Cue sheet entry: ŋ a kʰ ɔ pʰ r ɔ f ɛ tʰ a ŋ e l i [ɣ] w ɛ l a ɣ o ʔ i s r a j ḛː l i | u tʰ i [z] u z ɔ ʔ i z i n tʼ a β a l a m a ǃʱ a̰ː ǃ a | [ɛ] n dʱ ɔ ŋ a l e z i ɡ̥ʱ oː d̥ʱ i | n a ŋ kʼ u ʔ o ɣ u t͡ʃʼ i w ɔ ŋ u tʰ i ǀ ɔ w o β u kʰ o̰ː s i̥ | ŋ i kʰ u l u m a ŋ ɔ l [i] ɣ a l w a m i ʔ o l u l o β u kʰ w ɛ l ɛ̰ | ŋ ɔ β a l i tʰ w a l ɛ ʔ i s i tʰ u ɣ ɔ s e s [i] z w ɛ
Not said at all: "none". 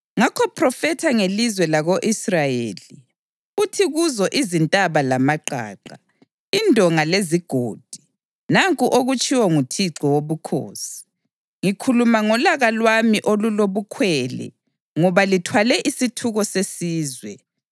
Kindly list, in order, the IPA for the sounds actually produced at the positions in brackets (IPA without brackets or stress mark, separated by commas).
z, ɣ, i, a, iː